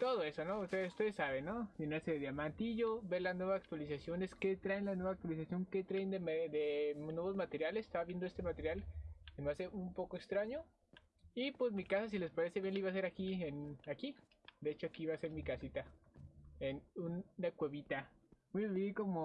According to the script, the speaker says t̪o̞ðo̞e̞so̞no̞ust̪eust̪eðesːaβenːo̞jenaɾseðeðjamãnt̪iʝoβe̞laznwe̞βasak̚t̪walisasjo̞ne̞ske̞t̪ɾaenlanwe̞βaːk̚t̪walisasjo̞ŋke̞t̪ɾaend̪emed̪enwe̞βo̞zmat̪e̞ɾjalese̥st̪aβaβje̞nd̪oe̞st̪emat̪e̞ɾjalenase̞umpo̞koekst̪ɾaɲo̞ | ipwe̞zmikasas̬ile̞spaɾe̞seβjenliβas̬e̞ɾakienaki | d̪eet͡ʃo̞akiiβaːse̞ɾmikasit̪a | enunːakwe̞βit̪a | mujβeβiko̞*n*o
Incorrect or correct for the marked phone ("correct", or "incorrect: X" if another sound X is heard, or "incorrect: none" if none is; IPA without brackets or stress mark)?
incorrect: m